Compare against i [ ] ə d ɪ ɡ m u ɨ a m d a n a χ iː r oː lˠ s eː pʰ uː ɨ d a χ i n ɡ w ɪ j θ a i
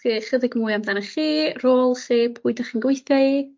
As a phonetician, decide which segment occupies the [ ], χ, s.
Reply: χ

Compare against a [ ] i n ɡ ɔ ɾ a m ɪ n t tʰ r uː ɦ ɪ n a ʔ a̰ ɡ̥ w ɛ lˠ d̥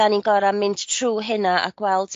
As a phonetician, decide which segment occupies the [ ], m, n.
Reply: n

